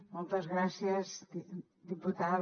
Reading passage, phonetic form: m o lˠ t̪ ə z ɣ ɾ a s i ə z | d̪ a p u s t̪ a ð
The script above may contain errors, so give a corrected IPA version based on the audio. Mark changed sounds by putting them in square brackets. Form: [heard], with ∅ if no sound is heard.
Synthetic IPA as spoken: m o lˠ t̪ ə z ɣ ɾ a s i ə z | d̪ [i] p u [∅] t̪ a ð